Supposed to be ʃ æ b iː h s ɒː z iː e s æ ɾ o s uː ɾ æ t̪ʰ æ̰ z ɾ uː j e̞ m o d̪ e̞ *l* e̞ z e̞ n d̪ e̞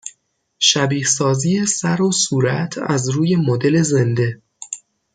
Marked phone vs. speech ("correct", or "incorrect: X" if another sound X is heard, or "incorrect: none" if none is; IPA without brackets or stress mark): correct